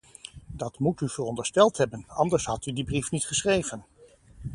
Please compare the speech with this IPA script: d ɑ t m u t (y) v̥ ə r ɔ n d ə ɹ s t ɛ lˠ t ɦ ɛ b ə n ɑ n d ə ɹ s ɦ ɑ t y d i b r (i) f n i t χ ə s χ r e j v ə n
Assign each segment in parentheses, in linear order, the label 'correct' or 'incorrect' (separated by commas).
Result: correct, correct